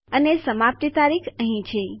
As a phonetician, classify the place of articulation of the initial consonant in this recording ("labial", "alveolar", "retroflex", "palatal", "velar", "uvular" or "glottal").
alveolar